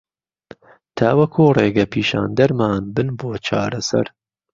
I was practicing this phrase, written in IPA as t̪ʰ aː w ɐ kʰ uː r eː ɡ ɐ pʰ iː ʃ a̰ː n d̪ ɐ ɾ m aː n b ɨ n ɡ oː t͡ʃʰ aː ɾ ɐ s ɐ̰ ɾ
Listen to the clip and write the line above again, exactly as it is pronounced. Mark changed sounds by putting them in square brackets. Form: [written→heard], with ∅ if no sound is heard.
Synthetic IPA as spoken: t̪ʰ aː w ɐ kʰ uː r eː ɡ ɐ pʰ iː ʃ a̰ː n d̪ ɐ ɾ m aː n b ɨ n [ɡ→b] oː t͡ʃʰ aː ɾ ɐ s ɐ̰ ɾ